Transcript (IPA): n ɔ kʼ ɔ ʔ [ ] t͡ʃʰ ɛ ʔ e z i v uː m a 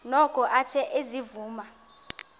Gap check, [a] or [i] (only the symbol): a